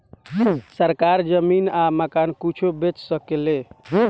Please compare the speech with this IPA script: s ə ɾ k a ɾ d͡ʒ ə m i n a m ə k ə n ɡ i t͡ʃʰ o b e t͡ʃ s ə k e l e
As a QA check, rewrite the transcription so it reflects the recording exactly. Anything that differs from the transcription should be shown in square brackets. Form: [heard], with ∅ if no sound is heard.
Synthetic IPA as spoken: s ə ɾ k a ɾ d͡ʒ ə m i n a m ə k [a] n [k] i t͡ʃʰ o b e t͡ʃ s ə k e l e